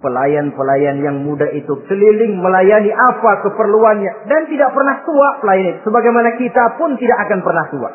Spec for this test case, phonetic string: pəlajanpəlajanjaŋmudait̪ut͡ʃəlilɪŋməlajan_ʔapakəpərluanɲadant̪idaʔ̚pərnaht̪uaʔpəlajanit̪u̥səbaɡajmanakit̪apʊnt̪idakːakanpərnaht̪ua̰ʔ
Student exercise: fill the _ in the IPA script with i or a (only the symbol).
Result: i